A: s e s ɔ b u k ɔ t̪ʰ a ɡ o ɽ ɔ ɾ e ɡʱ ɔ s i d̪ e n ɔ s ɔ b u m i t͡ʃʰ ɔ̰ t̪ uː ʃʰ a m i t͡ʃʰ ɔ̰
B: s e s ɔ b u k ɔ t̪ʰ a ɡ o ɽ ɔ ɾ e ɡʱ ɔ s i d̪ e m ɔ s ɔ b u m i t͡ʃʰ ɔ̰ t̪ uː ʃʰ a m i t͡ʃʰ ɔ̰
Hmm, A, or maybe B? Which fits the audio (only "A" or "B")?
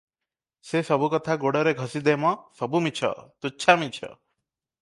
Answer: B